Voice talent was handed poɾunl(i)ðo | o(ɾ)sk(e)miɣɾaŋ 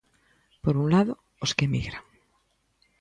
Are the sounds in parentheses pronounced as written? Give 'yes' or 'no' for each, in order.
no, no, yes

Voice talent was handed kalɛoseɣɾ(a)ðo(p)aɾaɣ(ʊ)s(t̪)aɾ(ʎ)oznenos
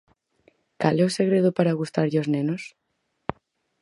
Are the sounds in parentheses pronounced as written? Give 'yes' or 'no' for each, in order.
no, yes, no, yes, yes

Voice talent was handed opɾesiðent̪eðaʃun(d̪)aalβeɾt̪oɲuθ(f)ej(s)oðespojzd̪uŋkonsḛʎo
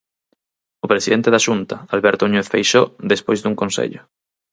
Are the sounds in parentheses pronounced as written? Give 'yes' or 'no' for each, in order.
no, yes, no

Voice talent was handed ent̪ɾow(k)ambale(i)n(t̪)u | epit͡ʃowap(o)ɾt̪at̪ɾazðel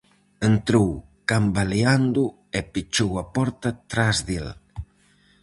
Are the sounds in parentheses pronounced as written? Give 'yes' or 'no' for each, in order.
yes, no, no, no

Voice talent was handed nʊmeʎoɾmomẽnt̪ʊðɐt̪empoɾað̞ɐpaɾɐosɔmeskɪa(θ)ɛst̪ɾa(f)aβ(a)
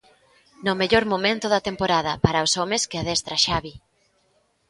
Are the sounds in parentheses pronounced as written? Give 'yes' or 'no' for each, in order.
no, no, no

